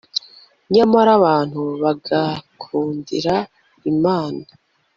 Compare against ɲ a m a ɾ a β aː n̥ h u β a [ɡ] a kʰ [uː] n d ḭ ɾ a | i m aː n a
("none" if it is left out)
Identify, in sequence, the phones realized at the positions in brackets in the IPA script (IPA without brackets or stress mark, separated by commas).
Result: ɡ, uː